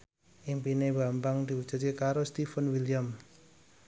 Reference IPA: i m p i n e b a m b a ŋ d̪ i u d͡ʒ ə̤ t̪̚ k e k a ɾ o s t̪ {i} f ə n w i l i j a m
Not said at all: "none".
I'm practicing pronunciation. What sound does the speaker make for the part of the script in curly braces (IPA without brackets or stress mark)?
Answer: i